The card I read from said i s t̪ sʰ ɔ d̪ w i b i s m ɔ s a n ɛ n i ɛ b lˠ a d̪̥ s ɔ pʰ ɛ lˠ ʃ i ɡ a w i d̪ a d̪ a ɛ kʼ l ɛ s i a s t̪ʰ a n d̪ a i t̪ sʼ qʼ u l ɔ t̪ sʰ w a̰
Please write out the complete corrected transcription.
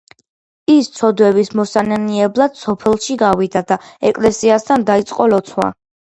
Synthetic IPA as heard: i s t̪ sʰ ɔ d̪ w ɛ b i s m ɔ s a n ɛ n i ɛ b lˠ a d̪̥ s ɔ pʰ ɛ lˠ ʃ i ɡ a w i d̪ a d̪ a ɛ kʼ l ɛ s i a s t̪ʰ a n d̪ a i t̪ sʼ qʼ ɔ l ɔ t̪ sʰ w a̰